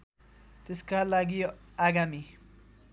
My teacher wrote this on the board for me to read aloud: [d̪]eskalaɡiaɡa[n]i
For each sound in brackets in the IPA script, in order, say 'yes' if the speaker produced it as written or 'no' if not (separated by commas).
no, no